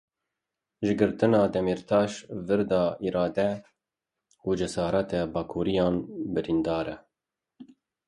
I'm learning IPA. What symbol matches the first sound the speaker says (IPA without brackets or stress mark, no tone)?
ʒ